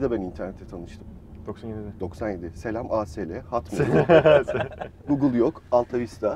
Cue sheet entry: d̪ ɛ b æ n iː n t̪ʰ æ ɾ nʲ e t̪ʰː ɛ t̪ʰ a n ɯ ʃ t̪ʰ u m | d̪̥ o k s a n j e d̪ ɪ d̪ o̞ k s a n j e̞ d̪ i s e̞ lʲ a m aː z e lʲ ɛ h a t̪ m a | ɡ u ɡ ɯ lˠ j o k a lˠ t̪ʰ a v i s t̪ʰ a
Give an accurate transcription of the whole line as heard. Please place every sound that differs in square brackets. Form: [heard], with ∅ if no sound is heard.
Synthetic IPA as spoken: d̪ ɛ b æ n [i] n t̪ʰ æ ɾ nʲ e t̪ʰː ɛ t̪ʰ a n ɯ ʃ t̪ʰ [ɯ] m | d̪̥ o k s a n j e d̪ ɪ d̪ o̞ k s a n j e̞ d̪ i s e̞ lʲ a m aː [s] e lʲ ɛ h a t̪ m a | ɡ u ɡ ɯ lˠ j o k a lˠ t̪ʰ a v i s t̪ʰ a